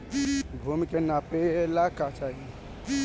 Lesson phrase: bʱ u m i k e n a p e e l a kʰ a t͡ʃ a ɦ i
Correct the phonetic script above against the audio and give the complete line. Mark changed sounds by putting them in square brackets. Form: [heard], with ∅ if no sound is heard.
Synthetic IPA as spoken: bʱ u m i k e n a p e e l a [k] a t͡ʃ a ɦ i